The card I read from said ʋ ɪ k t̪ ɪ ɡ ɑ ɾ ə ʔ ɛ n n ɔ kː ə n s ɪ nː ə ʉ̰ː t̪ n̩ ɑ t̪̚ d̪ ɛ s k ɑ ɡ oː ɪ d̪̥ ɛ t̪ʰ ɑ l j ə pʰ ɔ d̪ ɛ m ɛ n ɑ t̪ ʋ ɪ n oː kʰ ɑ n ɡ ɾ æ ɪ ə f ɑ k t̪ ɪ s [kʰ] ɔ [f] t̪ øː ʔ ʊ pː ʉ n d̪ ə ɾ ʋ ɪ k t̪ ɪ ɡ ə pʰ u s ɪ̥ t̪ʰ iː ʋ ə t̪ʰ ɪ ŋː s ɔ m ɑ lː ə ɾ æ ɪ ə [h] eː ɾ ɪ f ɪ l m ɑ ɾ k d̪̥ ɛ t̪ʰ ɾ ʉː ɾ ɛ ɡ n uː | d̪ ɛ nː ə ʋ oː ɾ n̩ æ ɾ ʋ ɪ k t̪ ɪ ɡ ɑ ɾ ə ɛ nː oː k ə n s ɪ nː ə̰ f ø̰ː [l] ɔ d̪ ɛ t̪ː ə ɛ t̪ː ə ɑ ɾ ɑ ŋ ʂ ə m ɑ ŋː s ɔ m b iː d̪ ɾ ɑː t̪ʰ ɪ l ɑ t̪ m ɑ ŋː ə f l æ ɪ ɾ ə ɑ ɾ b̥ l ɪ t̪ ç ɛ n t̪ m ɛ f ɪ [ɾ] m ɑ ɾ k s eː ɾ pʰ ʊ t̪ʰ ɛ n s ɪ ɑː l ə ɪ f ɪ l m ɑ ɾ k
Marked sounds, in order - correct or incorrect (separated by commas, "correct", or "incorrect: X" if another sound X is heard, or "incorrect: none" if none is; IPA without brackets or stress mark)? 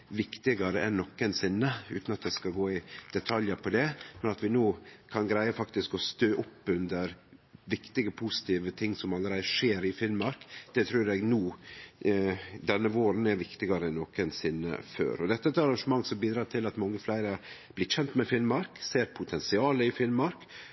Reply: incorrect: k, incorrect: s, incorrect: ʂ, incorrect: ɾ, incorrect: l